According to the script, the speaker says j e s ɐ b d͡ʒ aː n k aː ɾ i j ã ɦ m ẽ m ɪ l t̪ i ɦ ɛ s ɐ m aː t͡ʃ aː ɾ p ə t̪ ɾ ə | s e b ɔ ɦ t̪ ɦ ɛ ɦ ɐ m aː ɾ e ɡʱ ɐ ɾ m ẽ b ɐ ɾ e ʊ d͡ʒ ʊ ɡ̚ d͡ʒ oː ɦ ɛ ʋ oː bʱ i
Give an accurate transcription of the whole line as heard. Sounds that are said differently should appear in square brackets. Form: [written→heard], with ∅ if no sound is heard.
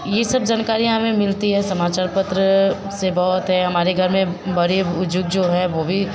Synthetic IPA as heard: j e s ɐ b d͡ʒ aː n k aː ɾ i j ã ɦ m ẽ m ɪ l t̪ i ɦ ɛ s ɐ m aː t͡ʃ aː ɾ p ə t̪ ɾ ə | s e b ɔ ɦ t̪ ɦ ɛ ɦ ɐ m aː ɾ e ɡʱ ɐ ɾ m ẽ b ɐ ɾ e ʊ d͡ʒ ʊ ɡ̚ d͡ʒ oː ɦ ɛ ʋ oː bʱ i

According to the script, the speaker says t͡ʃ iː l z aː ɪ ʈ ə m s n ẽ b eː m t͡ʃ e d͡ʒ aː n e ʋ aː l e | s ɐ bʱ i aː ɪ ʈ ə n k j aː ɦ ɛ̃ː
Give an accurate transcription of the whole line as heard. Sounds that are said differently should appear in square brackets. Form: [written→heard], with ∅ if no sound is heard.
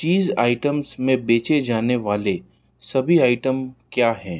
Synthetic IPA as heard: t͡ʃ iː [l→∅] z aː ɪ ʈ ə m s [n→m] ẽ b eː [m→∅] t͡ʃ e d͡ʒ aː n e ʋ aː l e | s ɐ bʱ i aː ɪ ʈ ə [n→m] k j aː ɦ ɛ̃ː

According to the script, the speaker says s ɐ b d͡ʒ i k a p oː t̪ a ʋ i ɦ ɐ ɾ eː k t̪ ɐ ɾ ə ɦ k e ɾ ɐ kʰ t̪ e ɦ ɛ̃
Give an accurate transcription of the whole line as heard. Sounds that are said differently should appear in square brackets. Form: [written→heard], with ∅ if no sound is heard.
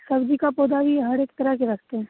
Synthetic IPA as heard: s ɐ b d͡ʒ i k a p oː [t̪→d̪] a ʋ i ɦ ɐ ɾ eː k t̪ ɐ ɾ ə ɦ k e ɾ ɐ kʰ t̪ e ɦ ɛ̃

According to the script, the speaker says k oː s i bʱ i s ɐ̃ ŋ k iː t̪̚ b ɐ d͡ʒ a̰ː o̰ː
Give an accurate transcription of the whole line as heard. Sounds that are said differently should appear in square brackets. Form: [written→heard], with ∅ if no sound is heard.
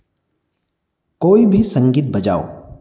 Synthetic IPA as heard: k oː [s→∅] i bʱ i s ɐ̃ ŋ [k→ɡ] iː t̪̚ b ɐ d͡ʒ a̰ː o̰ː

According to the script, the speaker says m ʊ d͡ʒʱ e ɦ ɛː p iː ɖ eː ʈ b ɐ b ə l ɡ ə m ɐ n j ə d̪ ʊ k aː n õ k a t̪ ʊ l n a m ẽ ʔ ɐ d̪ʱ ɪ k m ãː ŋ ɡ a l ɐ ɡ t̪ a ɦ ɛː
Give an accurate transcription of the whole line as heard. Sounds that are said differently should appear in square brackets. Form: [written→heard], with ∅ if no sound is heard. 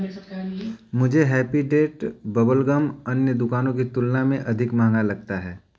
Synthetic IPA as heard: m ʊ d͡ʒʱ e ɦ ɛː p [iː→i] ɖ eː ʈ b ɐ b ə l ɡ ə m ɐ n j ə d̪ ʊ k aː n õ k [a→i] t̪ ʊ l n a m ẽ ʔ ɐ d̪ʱ ɪ k m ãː ŋ ɡ a l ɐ ɡ t̪ a ɦ ɛː

